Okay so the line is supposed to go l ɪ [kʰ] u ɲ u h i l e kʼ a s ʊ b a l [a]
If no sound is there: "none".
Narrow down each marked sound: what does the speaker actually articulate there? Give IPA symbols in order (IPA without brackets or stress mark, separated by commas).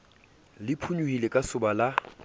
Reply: pʰ, a